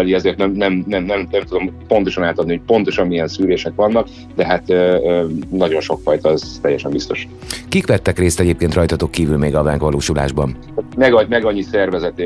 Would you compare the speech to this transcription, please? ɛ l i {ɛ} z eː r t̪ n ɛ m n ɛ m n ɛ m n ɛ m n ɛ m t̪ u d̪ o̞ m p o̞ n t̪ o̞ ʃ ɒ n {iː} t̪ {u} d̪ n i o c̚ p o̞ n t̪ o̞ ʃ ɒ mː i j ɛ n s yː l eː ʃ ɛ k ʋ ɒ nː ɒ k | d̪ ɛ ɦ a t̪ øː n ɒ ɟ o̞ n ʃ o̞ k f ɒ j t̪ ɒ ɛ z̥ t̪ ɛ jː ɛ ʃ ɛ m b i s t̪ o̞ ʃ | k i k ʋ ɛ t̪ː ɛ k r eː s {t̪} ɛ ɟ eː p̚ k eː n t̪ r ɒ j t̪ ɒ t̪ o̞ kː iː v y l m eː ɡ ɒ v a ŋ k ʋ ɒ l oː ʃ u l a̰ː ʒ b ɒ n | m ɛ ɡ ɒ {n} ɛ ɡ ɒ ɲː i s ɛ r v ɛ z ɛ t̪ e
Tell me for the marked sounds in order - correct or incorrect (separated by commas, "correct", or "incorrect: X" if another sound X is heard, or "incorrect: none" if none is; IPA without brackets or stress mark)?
correct, incorrect: aː, incorrect: ɒ, correct, incorrect: m